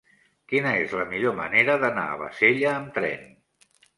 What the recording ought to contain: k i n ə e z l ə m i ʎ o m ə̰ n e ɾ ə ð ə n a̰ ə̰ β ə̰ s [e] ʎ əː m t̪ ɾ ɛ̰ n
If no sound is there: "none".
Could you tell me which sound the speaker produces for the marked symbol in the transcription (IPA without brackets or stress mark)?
e